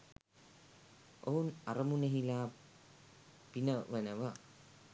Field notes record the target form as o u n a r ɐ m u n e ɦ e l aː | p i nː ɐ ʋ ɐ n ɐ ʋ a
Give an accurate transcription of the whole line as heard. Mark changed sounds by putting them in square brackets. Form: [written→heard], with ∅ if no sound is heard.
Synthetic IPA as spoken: o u n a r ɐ m u n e ɦ [e→i] l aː | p i [nː→n] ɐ ʋ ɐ n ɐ ʋ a